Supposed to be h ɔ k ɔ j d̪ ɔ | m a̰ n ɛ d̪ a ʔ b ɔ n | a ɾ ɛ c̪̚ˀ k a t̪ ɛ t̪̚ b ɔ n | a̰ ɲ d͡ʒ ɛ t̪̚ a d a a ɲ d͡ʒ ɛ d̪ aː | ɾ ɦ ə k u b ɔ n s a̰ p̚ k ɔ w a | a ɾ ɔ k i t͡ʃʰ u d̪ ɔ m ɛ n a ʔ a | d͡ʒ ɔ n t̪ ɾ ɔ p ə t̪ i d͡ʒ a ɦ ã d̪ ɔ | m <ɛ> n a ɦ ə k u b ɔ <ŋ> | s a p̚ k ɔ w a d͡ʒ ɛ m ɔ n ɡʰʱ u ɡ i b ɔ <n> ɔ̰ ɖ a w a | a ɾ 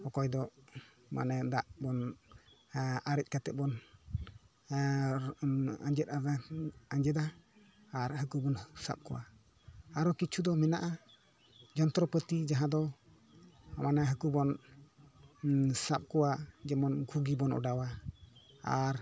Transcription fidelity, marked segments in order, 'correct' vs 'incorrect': incorrect: a, incorrect: n, correct

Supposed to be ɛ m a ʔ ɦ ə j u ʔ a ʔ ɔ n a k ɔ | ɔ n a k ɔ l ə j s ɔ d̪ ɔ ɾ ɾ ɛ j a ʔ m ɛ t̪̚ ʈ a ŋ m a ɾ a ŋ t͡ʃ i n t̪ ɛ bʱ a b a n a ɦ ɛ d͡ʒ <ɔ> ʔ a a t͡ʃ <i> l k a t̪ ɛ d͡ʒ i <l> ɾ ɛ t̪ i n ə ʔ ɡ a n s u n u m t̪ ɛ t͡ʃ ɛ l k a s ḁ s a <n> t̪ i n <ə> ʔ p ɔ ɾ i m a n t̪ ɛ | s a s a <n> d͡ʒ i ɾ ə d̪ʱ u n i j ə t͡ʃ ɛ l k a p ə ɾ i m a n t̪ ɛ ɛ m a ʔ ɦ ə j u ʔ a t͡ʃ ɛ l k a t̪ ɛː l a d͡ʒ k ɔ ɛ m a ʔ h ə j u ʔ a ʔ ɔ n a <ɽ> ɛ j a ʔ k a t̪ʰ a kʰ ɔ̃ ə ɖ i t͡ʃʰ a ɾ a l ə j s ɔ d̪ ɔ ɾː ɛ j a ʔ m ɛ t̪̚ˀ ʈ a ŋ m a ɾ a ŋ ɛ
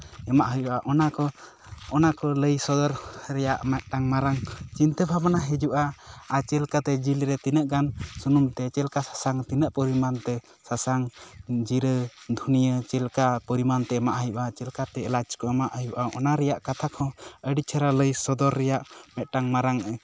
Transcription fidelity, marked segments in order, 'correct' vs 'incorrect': incorrect: u, incorrect: ɛ, correct, incorrect: ŋ, correct, incorrect: ŋ, incorrect: ɾ

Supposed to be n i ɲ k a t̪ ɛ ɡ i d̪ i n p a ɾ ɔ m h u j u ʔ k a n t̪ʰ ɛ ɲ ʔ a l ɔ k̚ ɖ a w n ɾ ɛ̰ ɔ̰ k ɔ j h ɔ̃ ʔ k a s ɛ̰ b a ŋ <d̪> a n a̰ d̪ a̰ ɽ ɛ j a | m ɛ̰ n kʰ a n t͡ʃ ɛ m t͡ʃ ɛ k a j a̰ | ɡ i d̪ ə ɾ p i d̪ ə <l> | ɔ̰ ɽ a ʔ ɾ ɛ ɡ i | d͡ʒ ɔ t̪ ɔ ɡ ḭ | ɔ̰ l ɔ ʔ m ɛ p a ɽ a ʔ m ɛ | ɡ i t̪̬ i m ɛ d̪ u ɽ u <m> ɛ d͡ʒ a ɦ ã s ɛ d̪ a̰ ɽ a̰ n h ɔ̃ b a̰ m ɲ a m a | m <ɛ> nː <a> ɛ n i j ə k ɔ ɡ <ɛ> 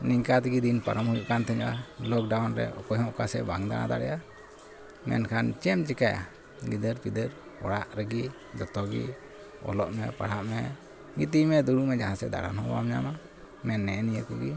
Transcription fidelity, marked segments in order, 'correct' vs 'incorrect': correct, incorrect: ɾ, correct, correct, incorrect: ɛ, incorrect: i

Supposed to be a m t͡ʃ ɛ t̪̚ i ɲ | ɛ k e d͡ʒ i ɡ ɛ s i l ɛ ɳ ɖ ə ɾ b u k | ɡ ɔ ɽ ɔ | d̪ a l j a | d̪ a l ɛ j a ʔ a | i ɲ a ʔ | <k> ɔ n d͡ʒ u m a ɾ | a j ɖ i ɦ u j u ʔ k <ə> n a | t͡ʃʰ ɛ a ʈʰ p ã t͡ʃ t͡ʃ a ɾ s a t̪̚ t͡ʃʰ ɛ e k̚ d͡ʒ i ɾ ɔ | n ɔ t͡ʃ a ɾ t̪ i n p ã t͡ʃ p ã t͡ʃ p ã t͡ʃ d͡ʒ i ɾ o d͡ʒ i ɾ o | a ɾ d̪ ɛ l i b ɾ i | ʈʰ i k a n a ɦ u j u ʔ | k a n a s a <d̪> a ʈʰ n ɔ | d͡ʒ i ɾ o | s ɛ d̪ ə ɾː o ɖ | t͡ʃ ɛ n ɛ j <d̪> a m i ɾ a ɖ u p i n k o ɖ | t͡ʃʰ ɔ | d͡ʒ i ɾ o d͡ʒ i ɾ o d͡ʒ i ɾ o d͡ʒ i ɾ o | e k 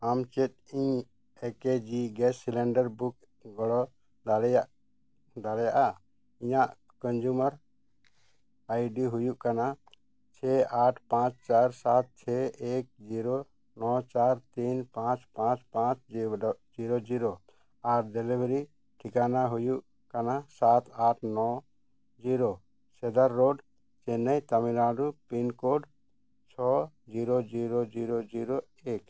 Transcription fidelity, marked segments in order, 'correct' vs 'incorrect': correct, incorrect: a, incorrect: t̪, incorrect: t̪

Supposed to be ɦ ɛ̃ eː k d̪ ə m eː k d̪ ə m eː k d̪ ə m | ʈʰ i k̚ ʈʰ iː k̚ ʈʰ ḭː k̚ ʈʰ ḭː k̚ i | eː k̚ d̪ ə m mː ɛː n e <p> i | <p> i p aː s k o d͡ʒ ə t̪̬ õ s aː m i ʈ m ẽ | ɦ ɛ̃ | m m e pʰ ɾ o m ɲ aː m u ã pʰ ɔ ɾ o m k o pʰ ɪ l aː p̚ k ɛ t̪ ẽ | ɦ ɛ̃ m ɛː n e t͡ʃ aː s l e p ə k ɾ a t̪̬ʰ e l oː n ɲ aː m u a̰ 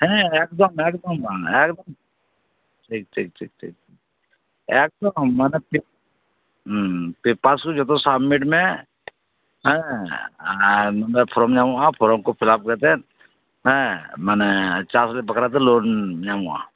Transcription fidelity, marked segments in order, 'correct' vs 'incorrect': correct, correct

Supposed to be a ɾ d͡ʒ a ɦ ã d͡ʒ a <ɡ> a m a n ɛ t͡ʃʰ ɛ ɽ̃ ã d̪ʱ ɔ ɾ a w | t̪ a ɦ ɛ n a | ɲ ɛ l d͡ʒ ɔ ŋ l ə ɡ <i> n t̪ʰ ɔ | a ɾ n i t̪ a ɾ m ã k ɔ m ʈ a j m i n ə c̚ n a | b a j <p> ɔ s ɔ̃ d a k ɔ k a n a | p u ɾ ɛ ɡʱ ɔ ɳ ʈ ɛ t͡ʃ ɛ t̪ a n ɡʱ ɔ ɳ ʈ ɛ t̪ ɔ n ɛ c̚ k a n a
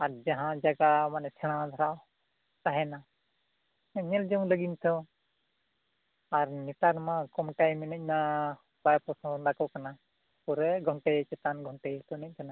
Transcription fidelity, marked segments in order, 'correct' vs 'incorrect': correct, correct, correct

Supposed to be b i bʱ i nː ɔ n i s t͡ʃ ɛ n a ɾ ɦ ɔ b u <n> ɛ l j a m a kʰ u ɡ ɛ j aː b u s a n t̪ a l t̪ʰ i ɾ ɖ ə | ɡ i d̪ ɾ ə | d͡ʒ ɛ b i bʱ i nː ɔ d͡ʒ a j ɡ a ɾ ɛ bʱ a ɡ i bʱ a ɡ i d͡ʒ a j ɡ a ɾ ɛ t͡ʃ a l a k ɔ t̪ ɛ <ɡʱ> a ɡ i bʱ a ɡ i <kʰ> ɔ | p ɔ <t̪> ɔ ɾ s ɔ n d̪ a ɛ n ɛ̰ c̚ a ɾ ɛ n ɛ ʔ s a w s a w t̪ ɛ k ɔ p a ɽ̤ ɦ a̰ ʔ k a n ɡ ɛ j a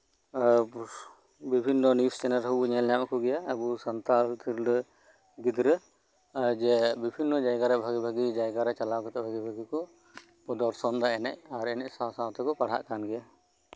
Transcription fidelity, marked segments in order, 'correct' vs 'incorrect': incorrect: ɲ, incorrect: bʱ, incorrect: k, incorrect: d̪

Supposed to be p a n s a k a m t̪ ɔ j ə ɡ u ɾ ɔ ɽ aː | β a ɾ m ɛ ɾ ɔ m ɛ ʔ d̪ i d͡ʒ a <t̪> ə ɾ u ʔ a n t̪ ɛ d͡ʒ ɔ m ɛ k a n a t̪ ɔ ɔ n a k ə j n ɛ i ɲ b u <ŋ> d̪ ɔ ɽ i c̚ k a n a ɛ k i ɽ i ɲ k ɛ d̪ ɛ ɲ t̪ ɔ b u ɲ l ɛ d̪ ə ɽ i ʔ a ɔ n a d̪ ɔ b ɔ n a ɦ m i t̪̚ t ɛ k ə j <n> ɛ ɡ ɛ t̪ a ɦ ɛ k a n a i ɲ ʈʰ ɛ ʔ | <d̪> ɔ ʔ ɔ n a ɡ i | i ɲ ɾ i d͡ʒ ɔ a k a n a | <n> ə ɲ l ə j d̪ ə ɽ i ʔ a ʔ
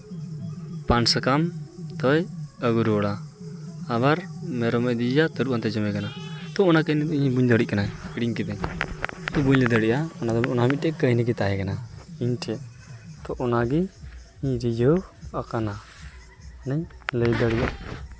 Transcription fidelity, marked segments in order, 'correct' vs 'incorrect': correct, incorrect: ɲ, correct, incorrect: t̪, correct

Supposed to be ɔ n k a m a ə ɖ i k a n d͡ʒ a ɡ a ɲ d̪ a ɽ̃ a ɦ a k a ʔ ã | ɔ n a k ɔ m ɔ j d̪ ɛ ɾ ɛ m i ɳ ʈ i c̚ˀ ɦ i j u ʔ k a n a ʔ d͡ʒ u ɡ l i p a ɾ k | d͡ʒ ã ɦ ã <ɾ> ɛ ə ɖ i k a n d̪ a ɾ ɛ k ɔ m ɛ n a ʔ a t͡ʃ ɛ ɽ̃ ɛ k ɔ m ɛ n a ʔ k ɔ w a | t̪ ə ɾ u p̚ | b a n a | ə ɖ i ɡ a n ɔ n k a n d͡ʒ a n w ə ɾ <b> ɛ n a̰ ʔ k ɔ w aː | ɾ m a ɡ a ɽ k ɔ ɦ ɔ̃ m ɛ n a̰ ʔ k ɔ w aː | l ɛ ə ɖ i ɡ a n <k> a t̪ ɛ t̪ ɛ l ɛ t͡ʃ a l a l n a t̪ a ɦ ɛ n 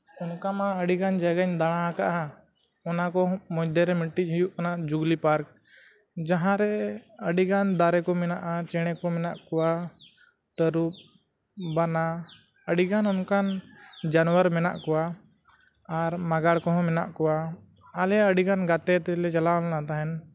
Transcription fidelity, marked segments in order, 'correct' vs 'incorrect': correct, incorrect: m, incorrect: ɡ

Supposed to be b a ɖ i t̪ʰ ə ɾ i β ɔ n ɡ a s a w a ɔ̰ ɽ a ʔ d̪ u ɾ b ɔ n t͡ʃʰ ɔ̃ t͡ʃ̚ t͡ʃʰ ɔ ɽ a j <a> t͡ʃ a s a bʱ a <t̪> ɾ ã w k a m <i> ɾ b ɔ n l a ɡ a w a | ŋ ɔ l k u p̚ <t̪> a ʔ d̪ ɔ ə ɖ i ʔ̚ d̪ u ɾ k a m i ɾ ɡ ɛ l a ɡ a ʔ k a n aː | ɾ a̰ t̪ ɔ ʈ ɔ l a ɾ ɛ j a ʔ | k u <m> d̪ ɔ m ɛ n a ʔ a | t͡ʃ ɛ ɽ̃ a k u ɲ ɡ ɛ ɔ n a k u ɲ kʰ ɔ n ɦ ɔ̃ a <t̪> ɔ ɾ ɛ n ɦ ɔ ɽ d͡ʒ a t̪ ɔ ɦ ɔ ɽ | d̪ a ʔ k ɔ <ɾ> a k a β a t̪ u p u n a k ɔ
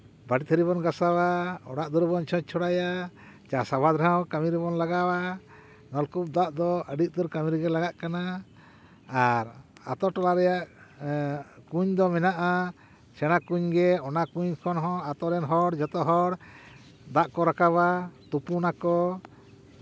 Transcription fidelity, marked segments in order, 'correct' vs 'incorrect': correct, incorrect: d̪, correct, incorrect: d̪, incorrect: ɲ, correct, correct

